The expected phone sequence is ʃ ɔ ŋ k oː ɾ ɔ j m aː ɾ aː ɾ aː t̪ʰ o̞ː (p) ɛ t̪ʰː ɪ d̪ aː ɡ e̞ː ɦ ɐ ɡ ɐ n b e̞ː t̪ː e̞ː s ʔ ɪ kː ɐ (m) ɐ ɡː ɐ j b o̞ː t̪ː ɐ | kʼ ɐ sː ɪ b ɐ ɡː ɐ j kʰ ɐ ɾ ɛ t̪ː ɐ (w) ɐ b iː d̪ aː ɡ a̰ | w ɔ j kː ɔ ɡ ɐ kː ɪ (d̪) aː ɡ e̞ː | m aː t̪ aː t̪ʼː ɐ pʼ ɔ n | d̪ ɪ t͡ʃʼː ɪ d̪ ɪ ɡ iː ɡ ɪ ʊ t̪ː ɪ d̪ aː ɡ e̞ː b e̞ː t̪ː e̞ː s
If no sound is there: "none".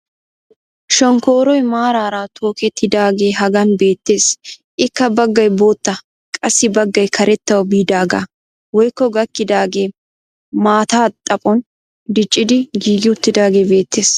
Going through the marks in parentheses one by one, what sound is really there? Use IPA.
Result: k, b, w, d̪

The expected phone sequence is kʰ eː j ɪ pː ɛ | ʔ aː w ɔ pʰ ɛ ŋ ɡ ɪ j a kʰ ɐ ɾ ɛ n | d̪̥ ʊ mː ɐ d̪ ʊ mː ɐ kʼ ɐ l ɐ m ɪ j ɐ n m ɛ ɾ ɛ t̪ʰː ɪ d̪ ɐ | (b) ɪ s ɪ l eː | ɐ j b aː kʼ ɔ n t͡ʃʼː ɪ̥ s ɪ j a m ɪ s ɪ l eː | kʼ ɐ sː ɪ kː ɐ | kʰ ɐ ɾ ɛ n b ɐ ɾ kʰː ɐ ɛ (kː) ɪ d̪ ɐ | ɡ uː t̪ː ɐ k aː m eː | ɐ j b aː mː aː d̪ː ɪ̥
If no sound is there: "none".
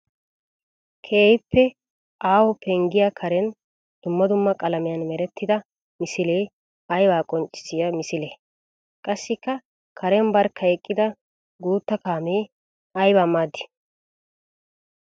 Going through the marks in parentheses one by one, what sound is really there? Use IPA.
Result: m, kʼː

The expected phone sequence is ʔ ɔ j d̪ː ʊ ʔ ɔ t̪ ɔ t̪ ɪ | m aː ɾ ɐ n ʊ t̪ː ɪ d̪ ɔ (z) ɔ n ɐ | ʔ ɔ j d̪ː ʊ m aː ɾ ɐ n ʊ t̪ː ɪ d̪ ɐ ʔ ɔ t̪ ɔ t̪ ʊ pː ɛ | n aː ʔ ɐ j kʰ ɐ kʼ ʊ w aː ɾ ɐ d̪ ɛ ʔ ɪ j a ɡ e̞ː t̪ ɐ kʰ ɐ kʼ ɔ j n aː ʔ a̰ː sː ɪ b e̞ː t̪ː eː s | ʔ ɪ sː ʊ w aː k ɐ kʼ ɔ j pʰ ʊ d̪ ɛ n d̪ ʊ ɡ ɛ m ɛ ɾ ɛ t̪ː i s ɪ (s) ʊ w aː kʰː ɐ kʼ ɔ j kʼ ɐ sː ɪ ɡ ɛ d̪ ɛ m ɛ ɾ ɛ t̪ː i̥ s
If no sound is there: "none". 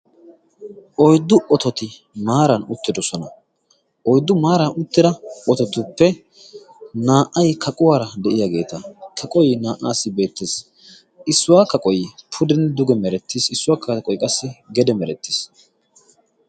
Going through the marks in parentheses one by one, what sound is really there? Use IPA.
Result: s, sː

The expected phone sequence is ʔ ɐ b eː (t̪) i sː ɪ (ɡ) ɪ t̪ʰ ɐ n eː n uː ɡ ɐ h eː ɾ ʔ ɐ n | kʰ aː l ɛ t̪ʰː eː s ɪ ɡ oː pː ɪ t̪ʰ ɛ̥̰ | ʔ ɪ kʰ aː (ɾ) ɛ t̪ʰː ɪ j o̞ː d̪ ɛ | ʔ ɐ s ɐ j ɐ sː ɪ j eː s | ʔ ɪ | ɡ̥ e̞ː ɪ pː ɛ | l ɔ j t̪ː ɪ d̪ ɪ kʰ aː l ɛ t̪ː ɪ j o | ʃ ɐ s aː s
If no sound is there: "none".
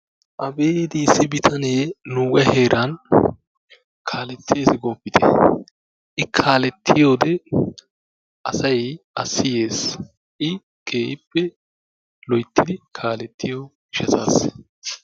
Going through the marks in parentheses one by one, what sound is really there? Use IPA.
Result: d̪, b, l

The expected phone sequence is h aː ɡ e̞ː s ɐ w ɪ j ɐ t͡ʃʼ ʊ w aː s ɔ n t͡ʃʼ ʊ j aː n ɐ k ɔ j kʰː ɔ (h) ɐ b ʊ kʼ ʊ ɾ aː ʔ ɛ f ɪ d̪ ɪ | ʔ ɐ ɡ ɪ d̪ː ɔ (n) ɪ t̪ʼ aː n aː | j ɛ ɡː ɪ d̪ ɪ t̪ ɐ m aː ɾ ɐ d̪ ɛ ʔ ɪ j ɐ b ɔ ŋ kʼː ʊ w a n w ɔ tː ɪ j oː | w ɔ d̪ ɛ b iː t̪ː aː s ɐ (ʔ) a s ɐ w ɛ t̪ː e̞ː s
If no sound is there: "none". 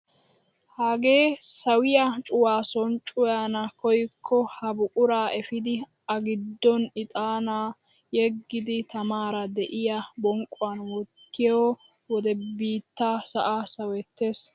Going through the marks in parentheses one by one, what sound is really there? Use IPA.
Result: h, n, ʔ

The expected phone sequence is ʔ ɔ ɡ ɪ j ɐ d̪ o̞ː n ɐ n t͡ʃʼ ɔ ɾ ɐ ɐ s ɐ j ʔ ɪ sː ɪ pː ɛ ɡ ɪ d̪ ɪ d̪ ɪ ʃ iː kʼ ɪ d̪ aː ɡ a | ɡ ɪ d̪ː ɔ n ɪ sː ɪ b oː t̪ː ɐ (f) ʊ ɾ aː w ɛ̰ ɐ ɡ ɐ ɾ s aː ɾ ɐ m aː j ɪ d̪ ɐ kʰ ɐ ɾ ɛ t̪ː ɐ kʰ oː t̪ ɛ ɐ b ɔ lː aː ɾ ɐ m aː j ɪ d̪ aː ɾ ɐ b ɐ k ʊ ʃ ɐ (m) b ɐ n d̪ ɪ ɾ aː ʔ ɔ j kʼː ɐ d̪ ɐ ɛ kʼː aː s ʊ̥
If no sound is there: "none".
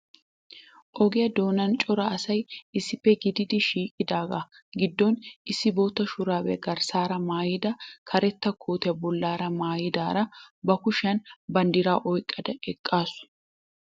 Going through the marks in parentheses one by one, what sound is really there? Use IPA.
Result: ʃ, n

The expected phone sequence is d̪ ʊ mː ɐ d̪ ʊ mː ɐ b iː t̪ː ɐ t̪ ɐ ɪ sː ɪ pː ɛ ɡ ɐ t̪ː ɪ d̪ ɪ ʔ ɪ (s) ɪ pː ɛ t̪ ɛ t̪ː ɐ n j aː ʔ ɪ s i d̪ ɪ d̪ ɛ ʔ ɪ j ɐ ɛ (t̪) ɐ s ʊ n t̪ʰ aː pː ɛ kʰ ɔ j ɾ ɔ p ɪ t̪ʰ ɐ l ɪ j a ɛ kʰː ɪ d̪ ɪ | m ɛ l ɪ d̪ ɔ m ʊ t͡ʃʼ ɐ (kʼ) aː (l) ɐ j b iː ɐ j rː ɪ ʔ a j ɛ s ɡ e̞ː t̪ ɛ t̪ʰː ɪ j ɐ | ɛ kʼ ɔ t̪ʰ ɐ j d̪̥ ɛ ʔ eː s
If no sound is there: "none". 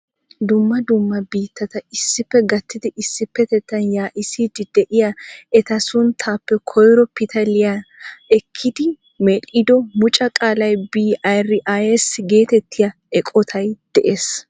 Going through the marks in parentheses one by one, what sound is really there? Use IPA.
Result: sː, t̪, kʼ, l

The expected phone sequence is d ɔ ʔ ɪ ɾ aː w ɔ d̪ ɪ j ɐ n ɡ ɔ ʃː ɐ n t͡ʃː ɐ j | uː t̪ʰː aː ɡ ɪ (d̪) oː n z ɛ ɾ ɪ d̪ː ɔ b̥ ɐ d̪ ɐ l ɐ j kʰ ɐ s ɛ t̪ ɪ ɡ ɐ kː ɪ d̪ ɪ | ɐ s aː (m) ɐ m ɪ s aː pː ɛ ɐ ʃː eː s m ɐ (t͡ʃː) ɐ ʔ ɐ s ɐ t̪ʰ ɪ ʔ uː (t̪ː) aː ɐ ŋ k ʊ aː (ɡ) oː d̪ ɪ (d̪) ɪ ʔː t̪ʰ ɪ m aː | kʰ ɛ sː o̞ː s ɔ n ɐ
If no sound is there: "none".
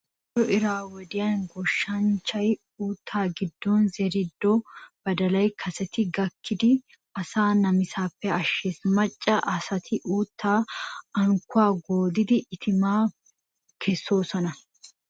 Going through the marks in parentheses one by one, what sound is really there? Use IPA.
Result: d̪ː, n, t͡ʃʼː, t̪ː, ɡ, d̪

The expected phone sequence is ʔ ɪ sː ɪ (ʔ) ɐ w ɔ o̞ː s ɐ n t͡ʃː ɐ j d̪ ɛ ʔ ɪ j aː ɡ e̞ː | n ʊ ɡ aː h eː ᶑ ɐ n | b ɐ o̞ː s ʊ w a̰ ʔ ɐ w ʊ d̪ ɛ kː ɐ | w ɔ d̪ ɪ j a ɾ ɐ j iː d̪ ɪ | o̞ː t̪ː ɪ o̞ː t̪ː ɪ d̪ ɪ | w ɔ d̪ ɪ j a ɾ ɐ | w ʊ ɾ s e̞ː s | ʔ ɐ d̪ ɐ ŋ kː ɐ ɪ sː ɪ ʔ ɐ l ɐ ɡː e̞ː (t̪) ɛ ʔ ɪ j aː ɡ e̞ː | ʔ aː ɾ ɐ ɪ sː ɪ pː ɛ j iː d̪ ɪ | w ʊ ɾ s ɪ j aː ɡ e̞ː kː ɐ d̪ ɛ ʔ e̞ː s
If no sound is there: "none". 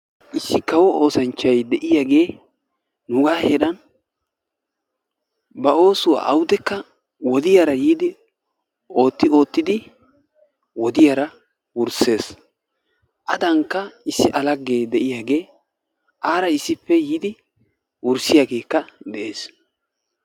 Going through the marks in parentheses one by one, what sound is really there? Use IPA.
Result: k, d̪

